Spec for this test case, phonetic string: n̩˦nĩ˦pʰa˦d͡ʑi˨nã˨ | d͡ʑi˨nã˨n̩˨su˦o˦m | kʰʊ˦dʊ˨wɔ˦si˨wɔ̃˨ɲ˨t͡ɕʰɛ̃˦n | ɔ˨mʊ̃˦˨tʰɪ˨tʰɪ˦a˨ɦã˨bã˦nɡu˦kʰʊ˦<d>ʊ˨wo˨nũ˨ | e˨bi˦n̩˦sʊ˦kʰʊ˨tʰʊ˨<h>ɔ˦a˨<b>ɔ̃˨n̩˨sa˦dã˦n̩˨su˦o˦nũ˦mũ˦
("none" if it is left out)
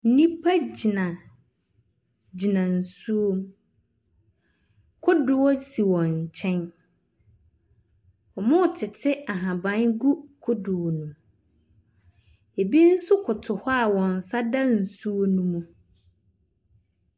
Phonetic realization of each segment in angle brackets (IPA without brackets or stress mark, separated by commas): d, h, w